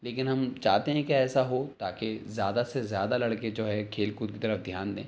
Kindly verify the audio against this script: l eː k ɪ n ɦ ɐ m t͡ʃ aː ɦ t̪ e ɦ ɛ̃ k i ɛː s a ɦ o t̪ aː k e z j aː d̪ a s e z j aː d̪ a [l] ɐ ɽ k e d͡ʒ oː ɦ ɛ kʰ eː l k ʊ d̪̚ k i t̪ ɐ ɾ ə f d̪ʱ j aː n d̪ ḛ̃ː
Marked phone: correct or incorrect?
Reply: correct